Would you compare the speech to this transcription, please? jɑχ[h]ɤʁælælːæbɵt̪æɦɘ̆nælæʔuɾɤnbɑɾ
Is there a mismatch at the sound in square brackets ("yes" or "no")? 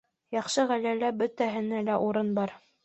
yes